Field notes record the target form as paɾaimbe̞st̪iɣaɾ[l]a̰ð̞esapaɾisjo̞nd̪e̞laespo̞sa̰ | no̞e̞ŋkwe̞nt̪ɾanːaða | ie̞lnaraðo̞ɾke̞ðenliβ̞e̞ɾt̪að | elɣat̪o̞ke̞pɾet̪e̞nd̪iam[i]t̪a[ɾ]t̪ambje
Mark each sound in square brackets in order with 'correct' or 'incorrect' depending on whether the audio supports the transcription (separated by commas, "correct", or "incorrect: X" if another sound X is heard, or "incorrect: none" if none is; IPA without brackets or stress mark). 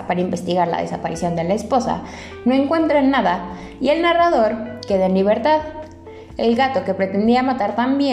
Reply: correct, incorrect: a, correct